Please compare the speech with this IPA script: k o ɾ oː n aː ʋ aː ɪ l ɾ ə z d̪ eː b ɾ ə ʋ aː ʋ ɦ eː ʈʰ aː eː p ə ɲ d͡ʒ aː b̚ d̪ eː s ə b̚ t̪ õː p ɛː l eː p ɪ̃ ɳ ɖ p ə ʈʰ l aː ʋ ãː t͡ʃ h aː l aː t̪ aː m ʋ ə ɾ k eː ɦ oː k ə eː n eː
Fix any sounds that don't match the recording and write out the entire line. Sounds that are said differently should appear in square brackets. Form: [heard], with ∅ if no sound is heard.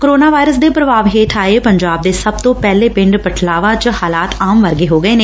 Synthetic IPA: k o ɾ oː n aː ʋ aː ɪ [∅] ɾ ə [s] d̪ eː [p] ɾ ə ʋ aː ʋ ɦ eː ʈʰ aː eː p ə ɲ d͡ʒ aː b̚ d̪ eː s ə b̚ t̪ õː p ɛː l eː p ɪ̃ ɳ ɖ p ə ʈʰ l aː ʋ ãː t͡ʃ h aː l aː t̪ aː m ʋ ə ɾ [ɡ] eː ɦ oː [ɡ] ə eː n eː

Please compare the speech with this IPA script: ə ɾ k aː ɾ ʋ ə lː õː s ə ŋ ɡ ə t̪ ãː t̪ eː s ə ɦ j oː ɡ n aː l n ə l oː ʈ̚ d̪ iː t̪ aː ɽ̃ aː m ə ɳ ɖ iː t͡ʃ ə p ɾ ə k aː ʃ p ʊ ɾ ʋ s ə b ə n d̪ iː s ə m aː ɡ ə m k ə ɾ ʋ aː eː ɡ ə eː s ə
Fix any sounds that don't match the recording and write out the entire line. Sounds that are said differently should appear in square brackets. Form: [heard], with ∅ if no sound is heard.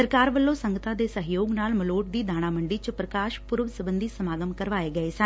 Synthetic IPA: ə ɾ k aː ɾ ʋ ə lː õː s ə ŋ ɡ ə t̪ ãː [d̪] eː s ə ɦ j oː ɡ n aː l [m] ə l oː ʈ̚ d̪ iː [d̪] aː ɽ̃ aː m ə ɳ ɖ iː t͡ʃ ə p ɾ ə k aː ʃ p ʊ ɾ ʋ s ə b ə n d̪ iː s ə m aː ɡ ə m k ə ɾ ʋ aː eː ɡ ə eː s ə

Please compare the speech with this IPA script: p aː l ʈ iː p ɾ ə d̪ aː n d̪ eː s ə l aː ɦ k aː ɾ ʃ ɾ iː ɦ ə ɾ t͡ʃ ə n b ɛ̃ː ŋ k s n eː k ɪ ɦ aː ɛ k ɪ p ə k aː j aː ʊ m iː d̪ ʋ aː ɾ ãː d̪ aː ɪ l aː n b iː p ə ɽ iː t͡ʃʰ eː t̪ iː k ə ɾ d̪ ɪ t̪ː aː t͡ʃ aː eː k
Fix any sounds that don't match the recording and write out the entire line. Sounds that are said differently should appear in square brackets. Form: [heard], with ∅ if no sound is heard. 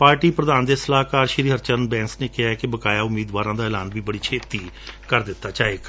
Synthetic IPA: p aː [ɾ] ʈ iː p ɾ ə d̪ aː n d̪ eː s ə l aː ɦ k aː ɾ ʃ ɾ iː ɦ ə ɾ t͡ʃ ə n b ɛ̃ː ŋ k s n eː k ɪ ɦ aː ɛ k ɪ [b] ə k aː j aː ʊ m iː d̪ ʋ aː ɾ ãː d̪ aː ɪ l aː n b iː [b] ə ɽ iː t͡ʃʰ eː t̪ iː k ə ɾ d̪ ɪ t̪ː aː t͡ʃ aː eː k

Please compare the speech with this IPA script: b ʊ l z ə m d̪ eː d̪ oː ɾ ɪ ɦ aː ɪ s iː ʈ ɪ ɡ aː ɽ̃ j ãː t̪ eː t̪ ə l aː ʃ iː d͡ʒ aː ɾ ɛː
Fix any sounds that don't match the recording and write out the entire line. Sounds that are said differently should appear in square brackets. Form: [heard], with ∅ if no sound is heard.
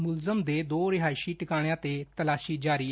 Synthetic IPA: [m] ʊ l z ə m d̪ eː d̪ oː ɾ ɪ ɦ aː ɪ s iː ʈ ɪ [k] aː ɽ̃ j ãː t̪ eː t̪ ə l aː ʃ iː d͡ʒ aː ɾ [iː]

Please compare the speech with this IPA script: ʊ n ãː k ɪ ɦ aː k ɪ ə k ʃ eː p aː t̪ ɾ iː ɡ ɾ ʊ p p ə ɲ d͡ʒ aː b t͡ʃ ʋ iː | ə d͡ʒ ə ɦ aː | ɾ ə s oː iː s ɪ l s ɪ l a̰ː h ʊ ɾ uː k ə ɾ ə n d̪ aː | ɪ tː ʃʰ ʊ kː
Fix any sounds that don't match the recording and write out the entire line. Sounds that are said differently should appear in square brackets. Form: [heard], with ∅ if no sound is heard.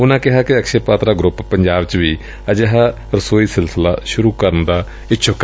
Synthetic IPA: ʊ n ãː k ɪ ɦ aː k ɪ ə k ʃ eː p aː t̪ ɾ [aː] ɡ ɾ ʊ p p ə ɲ d͡ʒ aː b t͡ʃ ʋ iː | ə d͡ʒ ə ɦ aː | ɾ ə s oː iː s ɪ l s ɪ l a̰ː [ʃ] ʊ ɾ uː k ə ɾ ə n d̪ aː | ɪ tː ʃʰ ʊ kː

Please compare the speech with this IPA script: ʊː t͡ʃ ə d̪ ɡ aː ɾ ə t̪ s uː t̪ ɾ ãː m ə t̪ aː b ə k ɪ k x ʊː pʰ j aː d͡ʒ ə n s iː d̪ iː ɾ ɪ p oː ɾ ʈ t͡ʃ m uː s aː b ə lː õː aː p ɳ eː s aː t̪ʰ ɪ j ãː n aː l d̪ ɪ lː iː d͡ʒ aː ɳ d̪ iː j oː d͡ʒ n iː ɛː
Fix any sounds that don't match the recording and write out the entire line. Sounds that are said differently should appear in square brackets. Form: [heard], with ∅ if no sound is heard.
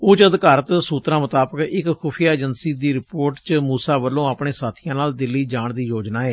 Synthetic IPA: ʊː t͡ʃ ə d̪ [k] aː ɾ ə t̪ s uː t̪ ɾ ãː m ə t̪ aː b ə k ɪ k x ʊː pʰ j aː d͡ʒ ə n s iː d̪ iː ɾ ɪ p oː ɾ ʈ t͡ʃ m uː s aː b ə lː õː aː p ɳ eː s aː t̪ʰ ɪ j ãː n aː l d̪ ɪ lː iː d͡ʒ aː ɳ d̪ iː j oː d͡ʒ n [aː] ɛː

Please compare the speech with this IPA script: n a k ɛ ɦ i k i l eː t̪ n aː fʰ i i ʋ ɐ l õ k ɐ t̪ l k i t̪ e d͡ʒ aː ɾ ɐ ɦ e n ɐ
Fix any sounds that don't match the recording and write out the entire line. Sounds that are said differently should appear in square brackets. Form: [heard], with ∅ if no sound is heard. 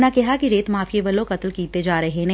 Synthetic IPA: n a k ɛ ɦ [a] k i [ɾ] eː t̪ [m] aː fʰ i [e] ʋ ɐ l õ k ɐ t̪ l k [iː] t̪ e d͡ʒ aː ɾ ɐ ɦ e n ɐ

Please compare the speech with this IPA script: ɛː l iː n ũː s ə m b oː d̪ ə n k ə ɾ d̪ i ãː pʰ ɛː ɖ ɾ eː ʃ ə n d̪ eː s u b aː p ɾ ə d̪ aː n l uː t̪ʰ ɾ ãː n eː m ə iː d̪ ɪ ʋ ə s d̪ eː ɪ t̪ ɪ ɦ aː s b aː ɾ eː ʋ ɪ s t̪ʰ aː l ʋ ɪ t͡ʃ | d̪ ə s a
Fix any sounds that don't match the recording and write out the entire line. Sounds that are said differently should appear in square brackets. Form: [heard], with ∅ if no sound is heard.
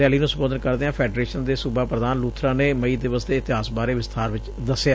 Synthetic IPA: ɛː l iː n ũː s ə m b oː d̪ ə n k ə ɾ d̪ [e] ãː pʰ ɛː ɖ ɾ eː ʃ ə n d̪ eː s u b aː p ɾ ə d̪ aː n l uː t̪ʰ ɾ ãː n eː m ə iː d̪ ɪ ʋ ə s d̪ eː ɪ t̪ ɪ ɦ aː s b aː ɾ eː ʋ ɪ s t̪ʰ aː [ɾ] ʋ ɪ t͡ʃ | d̪ ə s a

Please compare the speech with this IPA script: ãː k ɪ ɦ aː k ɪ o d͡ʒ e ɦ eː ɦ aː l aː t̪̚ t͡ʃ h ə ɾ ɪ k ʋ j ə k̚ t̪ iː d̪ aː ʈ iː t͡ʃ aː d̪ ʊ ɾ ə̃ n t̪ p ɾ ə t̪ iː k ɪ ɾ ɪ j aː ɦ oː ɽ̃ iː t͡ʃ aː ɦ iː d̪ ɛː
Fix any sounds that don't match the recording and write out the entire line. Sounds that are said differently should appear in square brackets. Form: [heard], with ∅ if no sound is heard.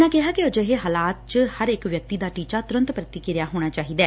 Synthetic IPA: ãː k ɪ ɦ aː k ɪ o d͡ʒ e ɦ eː ɦ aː l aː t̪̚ t͡ʃ h ə ɾ ɪ k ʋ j ə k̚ t̪ iː d̪ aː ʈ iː t͡ʃ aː [t̪] ʊ ɾ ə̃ n t̪ p ɾ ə t̪ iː k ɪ ɾ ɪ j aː ɦ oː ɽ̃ [aː] t͡ʃ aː ɦ iː d̪ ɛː

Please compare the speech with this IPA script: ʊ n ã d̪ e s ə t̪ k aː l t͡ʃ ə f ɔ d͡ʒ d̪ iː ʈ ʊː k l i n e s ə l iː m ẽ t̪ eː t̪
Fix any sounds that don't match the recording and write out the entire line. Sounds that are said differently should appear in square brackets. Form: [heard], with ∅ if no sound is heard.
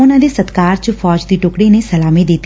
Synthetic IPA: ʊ n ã d̪ e s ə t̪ k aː [ɾ] t͡ʃ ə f [ɔː] d͡ʒ d̪ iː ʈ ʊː k [ɽ] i n e s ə l [aː] m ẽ [d̪] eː t̪

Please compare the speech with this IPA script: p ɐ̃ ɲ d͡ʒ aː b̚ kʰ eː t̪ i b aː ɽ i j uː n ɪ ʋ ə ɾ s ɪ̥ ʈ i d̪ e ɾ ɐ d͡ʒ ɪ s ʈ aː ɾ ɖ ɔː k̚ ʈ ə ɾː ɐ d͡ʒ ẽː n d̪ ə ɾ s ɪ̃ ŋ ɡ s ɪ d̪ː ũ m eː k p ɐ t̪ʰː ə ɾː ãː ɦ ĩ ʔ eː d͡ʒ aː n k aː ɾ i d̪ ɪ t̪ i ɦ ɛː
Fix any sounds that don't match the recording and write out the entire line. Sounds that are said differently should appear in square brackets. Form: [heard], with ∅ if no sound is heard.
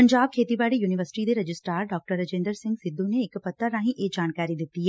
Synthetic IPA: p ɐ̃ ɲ d͡ʒ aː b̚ kʰ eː t̪ i b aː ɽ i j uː n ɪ ʋ ə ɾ s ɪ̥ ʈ i d̪ e ɾ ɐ d͡ʒ ɪ s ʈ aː ɾ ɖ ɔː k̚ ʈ ə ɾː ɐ d͡ʒ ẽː n d̪ ə ɾ s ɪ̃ ŋ ɡ s ɪ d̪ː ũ [n] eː k p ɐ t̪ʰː ə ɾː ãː ɦ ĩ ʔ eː d͡ʒ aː n k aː ɾ i d̪ ɪ t̪ i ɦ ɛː

